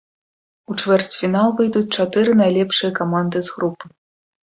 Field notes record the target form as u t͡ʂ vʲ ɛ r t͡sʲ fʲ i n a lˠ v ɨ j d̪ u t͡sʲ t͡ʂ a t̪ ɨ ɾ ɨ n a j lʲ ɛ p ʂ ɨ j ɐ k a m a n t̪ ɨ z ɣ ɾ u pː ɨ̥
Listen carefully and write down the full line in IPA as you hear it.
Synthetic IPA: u t͡ʂ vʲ ɛ r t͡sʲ fʲ i n a lˠ v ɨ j d̪ u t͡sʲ t͡ʂ a t̪ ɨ ɾ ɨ n a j lʲ ɛ p ʂ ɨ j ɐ k a m a n d̪ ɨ z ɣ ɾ u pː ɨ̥